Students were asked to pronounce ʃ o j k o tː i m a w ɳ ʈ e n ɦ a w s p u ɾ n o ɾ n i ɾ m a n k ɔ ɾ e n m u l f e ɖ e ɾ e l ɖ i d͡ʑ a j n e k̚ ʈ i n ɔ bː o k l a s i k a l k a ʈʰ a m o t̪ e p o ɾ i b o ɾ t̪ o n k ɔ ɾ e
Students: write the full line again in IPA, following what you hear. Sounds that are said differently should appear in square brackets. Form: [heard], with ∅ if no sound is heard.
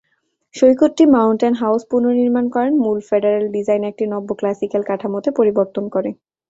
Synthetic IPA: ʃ o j k o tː i m a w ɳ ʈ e n ɦ a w s p u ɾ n o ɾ n i ɾ m a n k ɔ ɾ e n m u l f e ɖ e ɾ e l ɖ i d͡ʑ a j n e k̚ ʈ i n ɔ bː o k l a s i k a l k a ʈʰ a m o t̪ e p o ɾ i b o ɾ t̪ o n k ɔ ɾ e